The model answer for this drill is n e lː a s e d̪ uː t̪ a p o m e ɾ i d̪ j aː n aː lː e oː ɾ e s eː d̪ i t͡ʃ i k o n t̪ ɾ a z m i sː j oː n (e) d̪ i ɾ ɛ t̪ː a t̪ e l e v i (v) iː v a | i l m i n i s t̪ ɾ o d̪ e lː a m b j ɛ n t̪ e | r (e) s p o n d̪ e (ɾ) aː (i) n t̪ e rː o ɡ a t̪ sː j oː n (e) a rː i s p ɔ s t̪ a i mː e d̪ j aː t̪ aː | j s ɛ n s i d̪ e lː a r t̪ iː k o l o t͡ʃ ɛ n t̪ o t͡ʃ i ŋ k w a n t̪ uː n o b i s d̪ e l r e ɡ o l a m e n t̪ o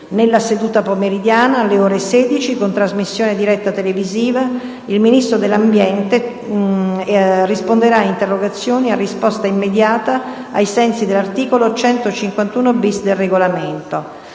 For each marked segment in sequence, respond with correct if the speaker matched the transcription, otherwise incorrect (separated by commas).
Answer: correct, incorrect, incorrect, correct, correct, incorrect